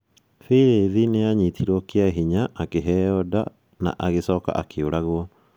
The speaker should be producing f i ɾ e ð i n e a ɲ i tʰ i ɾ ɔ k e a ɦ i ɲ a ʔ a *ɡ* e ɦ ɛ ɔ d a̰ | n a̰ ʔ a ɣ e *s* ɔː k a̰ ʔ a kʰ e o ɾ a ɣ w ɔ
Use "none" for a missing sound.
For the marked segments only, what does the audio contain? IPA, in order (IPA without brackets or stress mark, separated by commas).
k, s